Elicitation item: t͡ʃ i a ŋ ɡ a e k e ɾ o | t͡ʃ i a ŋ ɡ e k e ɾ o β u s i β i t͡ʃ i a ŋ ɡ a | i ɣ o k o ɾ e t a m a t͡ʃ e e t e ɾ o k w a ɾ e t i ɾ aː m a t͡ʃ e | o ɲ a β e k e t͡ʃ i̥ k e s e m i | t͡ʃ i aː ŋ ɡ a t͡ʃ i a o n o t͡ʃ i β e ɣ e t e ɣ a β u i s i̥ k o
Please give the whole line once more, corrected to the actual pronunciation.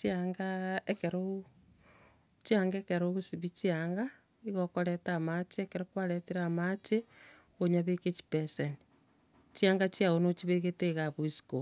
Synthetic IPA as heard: t͡ʃ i a ŋ ɡ a e k e ɾ o | t͡ʃ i a ŋ ɡ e k e ɾ o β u s i β i t͡ʃ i a ŋ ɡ a | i ɣ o k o ɾ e t a m a t͡ʃ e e k e ɾ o k w a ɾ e t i ɾ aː m a t͡ʃ e | o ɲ a β e k e t͡ʃ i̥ p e s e n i | t͡ʃ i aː ŋ ɡ a t͡ʃ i a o n o t͡ʃ i β e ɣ e t e ɣ a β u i s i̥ k o